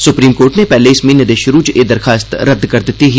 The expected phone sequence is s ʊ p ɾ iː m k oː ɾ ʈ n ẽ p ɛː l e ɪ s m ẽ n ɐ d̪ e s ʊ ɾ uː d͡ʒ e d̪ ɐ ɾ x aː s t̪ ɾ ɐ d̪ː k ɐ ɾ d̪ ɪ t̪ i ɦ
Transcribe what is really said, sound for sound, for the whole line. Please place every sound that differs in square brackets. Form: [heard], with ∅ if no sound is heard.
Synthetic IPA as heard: s ʊ p ɾ iː m k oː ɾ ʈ n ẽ p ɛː l e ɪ s m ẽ n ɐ d̪ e [ʃ] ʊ ɾ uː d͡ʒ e d̪ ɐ ɾ x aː s t̪ ɾ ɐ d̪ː k ɐ ɾ d̪ ɪ t̪ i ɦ